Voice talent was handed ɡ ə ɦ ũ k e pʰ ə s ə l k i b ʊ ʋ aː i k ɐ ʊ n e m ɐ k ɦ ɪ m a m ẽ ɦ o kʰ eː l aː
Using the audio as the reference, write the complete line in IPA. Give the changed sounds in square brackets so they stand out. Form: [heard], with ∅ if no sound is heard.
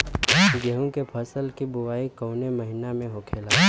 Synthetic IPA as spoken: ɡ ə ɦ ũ k e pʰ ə s ə l k i b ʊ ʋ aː i k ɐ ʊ n e m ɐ [∅] ɦ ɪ [n] a m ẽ ɦ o kʰ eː l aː

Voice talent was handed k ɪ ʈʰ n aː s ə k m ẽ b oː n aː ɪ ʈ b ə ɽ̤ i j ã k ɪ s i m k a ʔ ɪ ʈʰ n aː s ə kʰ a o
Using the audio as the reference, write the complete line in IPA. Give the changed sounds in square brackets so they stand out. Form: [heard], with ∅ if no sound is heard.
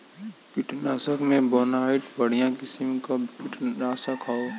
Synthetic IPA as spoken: [p] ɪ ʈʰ n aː s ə k m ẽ b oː n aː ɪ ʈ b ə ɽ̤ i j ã k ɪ s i m k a [p] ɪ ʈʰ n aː s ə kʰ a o

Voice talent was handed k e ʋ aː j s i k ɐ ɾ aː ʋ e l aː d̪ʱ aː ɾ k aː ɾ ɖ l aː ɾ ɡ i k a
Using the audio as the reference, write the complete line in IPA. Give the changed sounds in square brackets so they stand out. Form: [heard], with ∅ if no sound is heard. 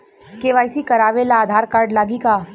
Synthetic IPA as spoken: k e ʋ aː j s i k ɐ ɾ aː ʋ e l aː d̪ʱ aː ɾ k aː ɾ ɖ l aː [∅] ɡ i k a

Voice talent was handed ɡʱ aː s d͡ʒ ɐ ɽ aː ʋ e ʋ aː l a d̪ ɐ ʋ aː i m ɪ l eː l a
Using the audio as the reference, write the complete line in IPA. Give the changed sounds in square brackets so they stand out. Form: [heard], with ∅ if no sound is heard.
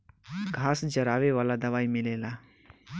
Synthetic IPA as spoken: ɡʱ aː s d͡ʒ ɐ [ɾ] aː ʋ e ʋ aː l a d̪ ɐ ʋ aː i m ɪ l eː l a

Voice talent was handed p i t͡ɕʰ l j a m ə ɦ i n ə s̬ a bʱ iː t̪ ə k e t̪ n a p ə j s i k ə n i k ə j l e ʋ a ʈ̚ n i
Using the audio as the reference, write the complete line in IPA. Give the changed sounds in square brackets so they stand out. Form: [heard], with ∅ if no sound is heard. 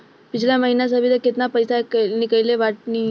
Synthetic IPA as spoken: p i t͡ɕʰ l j a m ə ɦ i n [a] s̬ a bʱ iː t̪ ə k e t̪ n a p ə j s [a] k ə n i k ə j l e ʋ a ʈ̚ n i

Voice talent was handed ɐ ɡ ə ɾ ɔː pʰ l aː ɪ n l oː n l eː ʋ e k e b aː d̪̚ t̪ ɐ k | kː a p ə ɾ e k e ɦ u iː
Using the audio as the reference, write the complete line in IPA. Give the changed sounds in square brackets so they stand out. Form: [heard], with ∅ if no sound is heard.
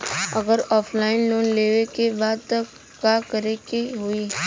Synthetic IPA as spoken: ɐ ɡ ə ɾ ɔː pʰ l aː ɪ n l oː n l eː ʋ e k e b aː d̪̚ t̪ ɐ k | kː a [k] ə ɾ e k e ɦ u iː

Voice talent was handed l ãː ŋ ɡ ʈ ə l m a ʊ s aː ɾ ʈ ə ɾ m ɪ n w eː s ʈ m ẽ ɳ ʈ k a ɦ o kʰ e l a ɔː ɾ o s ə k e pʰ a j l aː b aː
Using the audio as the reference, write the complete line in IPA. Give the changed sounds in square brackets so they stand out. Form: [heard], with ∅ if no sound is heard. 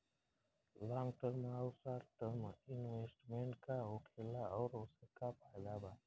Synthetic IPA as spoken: l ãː ŋ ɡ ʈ ə [ɾ] m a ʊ s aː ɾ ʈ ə ɾ m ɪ n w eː s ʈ m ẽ ɳ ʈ k a ɦ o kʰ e l a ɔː ɾ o s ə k [a] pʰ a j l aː b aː

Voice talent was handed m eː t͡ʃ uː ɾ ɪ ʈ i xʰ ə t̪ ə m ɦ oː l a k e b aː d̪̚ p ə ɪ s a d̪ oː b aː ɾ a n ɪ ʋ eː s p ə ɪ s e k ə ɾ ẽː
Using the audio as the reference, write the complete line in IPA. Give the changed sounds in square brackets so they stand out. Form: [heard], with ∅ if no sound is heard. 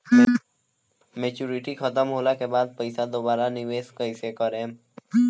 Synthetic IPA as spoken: m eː t͡ʃ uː ɾ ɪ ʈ i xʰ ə t̪ ə m ɦ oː l a k e b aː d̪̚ p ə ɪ s a d̪ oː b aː ɾ a n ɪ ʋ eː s [k] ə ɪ s e k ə ɾ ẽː

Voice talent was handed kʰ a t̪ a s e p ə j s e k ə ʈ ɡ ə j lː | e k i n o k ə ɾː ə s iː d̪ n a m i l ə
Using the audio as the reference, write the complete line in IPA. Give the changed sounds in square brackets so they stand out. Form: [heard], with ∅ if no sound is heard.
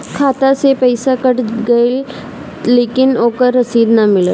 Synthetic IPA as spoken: kʰ a t̪ a s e p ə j s [a] k ə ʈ ɡ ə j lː | e k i n o k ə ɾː ə s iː d̪ n a m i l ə

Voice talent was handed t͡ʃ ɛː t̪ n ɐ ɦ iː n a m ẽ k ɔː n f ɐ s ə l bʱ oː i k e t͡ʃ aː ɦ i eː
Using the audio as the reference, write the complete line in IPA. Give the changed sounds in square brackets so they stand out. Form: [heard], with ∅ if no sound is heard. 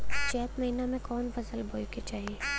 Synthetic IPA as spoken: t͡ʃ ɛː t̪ [m] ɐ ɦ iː n a m ẽ k ɔː n f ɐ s ə l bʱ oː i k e t͡ʃ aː ɦ i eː

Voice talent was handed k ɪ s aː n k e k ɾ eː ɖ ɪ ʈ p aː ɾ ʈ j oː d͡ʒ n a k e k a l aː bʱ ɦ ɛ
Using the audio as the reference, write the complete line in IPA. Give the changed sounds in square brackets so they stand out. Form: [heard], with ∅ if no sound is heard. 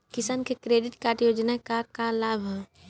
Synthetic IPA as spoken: k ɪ s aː n k e k ɾ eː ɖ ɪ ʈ [k] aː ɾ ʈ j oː d͡ʒ n a k [a] k a l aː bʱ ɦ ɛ

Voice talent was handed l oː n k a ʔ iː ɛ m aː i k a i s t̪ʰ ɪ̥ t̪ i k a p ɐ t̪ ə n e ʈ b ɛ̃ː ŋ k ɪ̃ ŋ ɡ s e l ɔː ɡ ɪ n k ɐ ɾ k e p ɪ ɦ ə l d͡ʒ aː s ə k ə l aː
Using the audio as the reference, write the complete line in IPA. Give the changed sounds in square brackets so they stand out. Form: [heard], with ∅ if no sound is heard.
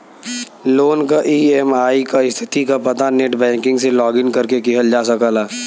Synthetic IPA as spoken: l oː n k a ʔ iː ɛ m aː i k a [ɪ] s t̪ʰ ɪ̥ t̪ i k a p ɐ t̪ [a] n e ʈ b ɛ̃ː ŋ k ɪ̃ ŋ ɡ s e l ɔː ɡ ɪ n k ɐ ɾ k e [k] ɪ ɦ ə l d͡ʒ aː s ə k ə l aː

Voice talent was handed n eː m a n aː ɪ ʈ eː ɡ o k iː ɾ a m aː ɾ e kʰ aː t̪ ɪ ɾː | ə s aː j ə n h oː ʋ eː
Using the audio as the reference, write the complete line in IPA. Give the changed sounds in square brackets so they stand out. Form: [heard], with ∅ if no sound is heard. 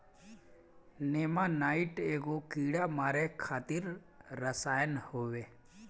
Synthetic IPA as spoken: n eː m a n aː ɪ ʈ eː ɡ o k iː [ɽ] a m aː ɾ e kʰ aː t̪ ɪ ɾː | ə s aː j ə n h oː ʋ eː

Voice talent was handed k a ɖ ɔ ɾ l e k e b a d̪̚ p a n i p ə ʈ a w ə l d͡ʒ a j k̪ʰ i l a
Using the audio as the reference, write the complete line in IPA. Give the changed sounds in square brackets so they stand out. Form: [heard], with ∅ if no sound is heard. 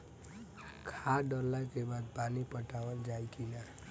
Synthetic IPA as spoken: [kʰ] a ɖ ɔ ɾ l [a] k e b a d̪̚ p a n i p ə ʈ a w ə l d͡ʒ a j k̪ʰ i l a

